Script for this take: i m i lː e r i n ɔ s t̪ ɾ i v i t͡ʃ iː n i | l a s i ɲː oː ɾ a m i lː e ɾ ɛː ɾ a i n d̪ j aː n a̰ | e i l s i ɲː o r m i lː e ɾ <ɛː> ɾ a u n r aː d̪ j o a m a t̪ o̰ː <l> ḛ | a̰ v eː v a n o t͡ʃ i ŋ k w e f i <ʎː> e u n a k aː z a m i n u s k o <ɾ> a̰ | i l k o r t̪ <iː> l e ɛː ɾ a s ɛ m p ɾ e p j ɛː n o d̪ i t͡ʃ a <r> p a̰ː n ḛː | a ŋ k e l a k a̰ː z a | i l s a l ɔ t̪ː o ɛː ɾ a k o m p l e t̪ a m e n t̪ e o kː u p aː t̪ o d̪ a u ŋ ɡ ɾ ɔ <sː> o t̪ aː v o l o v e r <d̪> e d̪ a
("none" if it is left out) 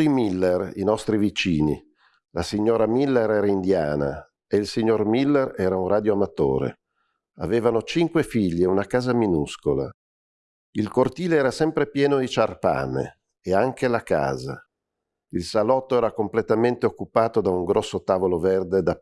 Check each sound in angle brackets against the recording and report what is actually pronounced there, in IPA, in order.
ɛː, ɾ, ʎː, l, iː, r, sː, d̪

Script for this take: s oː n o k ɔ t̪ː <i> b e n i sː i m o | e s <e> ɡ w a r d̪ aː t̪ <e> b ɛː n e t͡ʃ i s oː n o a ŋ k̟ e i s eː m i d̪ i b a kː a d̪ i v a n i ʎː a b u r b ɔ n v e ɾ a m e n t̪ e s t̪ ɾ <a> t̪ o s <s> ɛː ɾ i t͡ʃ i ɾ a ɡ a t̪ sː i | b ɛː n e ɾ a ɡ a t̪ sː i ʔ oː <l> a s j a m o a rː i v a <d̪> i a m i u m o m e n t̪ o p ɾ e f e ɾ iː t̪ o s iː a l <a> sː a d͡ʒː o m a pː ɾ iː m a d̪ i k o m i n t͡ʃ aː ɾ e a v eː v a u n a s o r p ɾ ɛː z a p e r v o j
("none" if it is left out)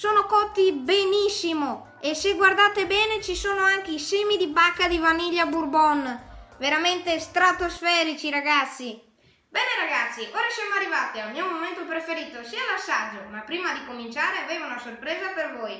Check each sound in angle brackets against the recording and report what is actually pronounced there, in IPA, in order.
i, e, e, a, f, ɾ, t̪, a

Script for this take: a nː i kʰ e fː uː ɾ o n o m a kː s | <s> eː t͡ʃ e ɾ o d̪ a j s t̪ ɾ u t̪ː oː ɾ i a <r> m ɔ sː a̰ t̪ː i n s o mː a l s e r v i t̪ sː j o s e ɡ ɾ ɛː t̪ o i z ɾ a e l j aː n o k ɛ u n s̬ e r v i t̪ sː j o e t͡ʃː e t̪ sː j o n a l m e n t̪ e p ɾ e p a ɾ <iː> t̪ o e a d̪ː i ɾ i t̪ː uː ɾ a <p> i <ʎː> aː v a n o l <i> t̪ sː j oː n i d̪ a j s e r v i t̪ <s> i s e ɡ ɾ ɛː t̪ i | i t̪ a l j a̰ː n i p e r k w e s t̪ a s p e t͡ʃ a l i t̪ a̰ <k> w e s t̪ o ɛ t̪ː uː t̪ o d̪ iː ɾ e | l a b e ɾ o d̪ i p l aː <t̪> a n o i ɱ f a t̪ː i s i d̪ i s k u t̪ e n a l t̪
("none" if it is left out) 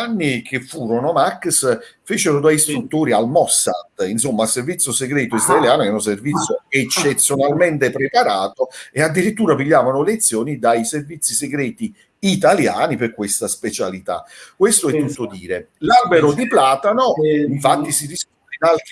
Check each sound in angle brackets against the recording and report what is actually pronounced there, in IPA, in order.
f, l, aː, p, ʎː, e, sː, k, t̪

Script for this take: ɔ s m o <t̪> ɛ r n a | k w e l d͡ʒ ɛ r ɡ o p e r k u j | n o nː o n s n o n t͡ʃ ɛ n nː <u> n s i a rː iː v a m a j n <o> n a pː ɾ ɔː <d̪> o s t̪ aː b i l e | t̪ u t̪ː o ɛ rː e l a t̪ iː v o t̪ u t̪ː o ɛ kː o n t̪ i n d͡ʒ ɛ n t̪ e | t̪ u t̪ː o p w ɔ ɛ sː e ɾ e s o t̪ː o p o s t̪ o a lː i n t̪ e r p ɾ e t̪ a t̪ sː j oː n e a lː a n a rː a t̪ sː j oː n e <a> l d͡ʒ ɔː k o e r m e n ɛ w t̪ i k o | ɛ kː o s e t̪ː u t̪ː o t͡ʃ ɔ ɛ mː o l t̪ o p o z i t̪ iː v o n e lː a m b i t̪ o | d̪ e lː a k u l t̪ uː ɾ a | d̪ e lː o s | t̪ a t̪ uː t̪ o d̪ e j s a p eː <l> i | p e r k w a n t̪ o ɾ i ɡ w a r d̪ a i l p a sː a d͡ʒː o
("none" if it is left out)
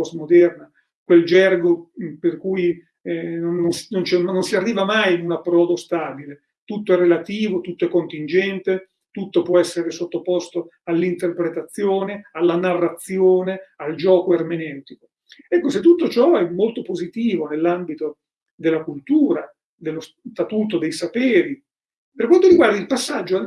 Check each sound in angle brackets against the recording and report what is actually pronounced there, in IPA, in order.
d̪, o, u, d̪, a, ɾ

